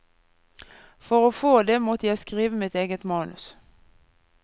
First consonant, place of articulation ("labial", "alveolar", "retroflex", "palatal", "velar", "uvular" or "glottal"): labial